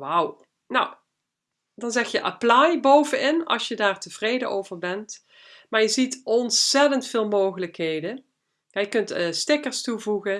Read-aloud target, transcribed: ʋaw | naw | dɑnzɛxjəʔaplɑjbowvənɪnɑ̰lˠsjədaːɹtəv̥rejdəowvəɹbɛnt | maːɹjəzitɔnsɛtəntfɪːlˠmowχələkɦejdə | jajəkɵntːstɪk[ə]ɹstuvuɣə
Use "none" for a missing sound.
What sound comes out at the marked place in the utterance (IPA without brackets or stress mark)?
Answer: ə